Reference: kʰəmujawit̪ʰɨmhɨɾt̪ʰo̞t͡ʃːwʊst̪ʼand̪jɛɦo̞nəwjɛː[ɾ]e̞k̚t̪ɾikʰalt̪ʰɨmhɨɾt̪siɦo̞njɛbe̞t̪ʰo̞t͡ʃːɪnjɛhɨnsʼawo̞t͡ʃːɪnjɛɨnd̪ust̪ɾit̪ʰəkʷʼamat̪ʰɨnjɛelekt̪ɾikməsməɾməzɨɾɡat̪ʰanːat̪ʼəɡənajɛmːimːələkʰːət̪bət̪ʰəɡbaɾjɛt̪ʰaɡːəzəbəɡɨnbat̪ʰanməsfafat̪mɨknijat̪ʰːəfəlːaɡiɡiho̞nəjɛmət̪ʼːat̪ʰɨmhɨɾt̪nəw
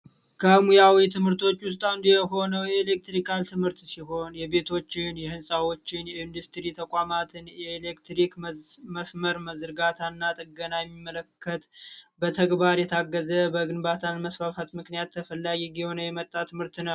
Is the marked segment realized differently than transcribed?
yes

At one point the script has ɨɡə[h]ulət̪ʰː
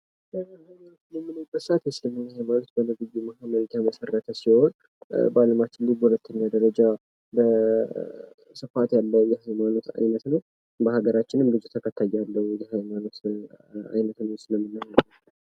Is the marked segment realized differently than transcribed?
no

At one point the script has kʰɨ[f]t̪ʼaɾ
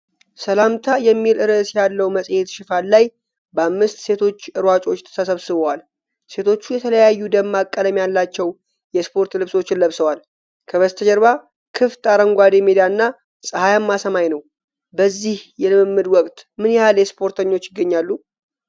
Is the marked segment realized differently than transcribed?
no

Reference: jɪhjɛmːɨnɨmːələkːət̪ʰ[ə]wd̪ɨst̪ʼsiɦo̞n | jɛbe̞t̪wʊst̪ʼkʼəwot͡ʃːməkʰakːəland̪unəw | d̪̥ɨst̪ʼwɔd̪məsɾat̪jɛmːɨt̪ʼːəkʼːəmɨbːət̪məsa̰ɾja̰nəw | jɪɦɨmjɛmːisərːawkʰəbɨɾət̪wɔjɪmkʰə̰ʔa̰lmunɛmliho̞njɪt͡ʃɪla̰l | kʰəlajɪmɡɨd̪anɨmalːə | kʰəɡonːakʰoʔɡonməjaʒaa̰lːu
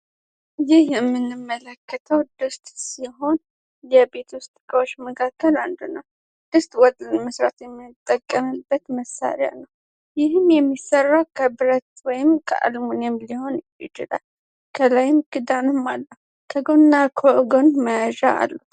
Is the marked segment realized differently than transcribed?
no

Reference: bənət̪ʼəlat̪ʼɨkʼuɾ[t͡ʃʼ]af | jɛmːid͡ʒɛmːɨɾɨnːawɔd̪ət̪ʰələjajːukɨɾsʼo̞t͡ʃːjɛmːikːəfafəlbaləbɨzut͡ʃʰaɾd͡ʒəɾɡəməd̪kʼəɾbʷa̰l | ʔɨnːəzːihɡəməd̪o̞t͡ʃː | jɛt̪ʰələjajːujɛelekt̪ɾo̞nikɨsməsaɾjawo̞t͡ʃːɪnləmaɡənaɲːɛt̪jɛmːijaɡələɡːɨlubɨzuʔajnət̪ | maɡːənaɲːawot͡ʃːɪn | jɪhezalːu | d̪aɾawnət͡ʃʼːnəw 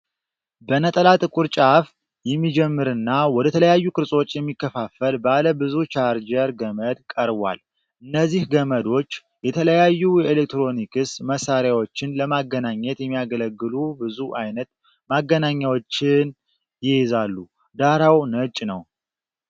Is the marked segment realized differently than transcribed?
no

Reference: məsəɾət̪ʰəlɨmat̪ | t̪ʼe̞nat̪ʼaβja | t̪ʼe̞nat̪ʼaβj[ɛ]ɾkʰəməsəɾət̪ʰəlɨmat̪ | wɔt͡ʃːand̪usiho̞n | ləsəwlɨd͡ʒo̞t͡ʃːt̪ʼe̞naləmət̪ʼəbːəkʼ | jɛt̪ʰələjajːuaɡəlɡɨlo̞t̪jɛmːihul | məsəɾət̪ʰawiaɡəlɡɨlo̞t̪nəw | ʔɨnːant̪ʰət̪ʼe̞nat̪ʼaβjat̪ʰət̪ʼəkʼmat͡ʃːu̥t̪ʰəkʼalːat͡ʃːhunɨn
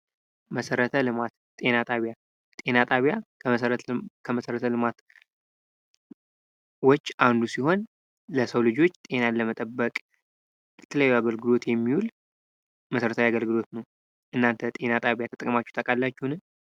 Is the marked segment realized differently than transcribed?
yes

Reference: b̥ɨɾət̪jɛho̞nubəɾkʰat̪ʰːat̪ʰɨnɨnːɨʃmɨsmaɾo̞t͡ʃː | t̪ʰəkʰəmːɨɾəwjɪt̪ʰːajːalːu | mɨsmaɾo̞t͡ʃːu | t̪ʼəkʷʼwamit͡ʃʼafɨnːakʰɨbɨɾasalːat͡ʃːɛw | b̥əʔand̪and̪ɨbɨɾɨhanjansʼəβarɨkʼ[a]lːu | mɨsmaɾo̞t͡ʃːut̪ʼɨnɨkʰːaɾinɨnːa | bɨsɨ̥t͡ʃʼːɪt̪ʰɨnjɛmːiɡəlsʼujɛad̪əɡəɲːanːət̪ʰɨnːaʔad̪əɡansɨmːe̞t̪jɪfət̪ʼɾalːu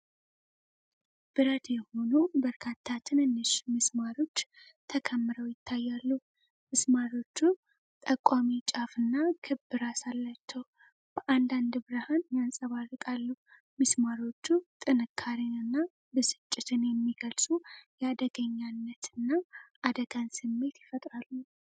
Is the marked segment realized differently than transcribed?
no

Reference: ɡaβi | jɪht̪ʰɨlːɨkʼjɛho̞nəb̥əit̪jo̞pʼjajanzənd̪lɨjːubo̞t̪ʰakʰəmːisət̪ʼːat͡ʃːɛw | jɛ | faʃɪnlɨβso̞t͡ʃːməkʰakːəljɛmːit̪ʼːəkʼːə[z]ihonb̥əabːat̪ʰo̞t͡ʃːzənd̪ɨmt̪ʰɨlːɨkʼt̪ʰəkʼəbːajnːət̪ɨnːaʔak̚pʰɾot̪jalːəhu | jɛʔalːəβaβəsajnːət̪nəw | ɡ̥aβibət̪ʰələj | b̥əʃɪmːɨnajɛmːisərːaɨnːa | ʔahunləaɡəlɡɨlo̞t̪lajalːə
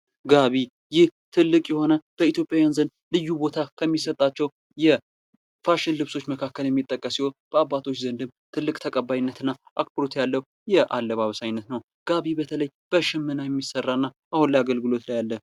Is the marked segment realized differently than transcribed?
yes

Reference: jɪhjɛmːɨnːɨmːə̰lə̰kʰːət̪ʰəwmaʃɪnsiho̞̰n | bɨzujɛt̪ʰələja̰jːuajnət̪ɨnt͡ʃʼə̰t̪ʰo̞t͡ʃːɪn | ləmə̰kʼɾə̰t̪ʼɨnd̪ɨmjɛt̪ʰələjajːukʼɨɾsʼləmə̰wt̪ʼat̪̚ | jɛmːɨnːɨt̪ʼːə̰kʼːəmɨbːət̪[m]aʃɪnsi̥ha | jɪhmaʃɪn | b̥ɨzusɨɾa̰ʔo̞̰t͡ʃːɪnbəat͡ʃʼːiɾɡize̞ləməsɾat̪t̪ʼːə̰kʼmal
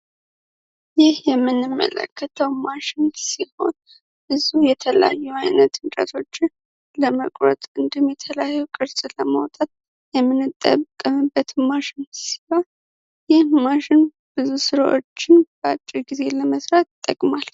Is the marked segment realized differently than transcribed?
no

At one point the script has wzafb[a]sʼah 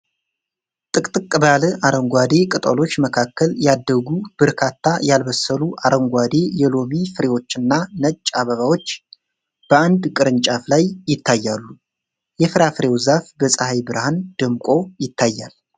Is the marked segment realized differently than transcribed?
yes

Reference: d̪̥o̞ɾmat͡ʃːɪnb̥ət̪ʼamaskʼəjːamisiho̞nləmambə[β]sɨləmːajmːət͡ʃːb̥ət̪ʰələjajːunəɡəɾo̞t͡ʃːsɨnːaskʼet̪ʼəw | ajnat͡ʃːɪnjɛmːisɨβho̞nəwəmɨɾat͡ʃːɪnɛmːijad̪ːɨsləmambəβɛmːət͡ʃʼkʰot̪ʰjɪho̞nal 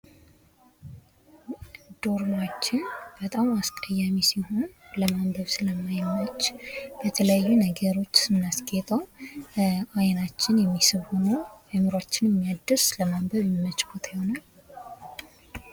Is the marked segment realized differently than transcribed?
no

